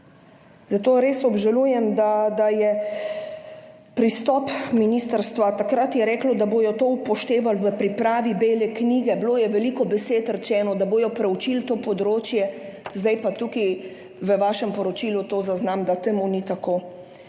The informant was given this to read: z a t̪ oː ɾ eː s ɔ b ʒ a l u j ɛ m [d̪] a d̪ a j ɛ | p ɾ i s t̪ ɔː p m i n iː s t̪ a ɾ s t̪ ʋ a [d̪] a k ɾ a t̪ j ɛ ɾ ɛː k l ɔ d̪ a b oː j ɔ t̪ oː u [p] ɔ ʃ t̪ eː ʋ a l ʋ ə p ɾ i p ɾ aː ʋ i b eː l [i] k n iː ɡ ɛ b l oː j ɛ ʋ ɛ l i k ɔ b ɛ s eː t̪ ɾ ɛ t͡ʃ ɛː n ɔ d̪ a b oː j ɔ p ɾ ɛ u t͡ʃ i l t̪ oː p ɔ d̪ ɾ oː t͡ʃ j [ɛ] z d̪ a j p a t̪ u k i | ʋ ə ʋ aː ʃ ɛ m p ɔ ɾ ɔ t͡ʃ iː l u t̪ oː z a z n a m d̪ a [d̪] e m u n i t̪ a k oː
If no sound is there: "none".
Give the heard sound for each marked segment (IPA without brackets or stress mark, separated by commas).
d̪, t̪, p, ɛ, ɛ, t̪